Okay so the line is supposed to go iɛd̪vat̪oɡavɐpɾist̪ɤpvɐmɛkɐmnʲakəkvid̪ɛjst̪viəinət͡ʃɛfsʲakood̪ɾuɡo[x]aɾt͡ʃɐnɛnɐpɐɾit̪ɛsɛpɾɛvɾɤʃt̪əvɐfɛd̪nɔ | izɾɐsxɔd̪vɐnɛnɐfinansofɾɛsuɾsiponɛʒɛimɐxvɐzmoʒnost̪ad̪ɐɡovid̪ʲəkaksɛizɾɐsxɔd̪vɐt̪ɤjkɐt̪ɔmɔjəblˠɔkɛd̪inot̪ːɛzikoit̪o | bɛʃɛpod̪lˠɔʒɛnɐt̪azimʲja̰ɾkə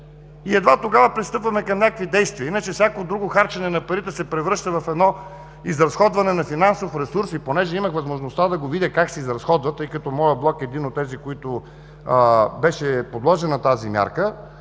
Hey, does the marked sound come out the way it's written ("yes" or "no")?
yes